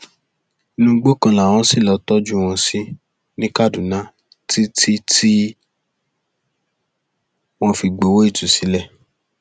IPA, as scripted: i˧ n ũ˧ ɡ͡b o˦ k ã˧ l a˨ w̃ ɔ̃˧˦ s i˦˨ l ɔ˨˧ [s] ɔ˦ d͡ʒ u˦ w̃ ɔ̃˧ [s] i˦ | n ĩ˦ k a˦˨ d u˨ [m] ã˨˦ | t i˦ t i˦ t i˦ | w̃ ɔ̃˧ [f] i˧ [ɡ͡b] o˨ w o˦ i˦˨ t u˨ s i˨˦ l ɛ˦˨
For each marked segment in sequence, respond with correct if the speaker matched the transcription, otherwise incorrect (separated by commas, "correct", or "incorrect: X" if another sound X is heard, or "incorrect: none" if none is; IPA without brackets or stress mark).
incorrect: t, correct, incorrect: n, correct, correct